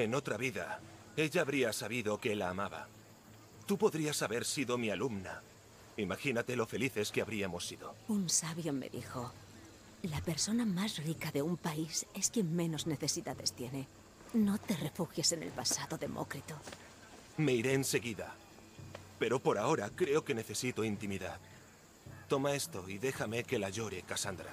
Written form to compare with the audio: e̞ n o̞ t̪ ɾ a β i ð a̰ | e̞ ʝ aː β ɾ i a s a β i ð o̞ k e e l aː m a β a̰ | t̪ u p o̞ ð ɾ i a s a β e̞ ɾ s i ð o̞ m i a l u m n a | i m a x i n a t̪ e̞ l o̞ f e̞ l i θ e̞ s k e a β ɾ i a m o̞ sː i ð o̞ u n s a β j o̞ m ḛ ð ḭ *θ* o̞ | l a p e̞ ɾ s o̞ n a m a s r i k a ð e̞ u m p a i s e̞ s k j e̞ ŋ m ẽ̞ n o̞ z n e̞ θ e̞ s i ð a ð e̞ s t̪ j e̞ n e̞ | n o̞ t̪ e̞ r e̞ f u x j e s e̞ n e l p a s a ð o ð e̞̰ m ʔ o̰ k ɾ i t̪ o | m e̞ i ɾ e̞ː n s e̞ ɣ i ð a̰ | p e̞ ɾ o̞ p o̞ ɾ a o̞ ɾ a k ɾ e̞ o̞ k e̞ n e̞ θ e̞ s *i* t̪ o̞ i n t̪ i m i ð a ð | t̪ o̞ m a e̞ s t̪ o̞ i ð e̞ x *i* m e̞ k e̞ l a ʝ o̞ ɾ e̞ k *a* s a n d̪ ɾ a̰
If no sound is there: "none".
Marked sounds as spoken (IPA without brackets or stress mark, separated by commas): x, i, a, a